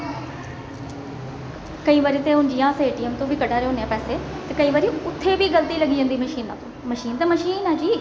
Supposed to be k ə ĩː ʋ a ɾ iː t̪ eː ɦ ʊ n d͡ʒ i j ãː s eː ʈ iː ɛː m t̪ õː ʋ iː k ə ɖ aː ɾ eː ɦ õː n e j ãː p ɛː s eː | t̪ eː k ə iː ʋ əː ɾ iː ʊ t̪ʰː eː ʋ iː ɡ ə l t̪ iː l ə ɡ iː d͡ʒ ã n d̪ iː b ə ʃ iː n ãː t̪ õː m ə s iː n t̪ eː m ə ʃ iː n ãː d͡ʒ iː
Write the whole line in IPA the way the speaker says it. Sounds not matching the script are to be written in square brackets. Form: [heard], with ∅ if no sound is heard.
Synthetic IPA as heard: k ə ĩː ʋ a ɾ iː t̪ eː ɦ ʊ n d͡ʒ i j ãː s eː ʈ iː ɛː m t̪ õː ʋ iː k ə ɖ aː ɾ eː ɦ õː n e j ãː p ɛː s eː | t̪ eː k ə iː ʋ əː ɾ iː ʊ t̪ʰː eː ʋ iː ɡ ə l t̪ iː l ə ɡ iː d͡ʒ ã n d̪ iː [m] ə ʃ iː n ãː t̪ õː m ə [ʃ] iː n t̪ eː m ə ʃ iː n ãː d͡ʒ iː